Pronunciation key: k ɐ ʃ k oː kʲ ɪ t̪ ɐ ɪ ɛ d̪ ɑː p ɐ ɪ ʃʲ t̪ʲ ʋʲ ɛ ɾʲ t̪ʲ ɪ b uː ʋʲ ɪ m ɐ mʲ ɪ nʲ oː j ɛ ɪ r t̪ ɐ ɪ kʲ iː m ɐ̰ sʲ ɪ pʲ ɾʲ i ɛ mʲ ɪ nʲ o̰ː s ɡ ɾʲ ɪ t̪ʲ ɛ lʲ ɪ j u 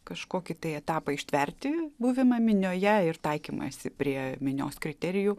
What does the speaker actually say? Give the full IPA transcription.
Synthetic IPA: k ɐ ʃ k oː kʲ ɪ t̪ ɐ ɪ ɛ t̪ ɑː p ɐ ɪ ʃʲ t̪ʲ ʋʲ ɛ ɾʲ t̪ʲ ɪ b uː ʋʲ ɪ m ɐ mʲ ɪ nʲ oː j ɛ ɪ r t̪ ɐ ɪ kʲ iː m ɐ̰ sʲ ɪ pʲ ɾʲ i ɛ mʲ ɪ nʲ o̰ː s k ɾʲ ɪ t̪ʲ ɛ ɾʲ ɪ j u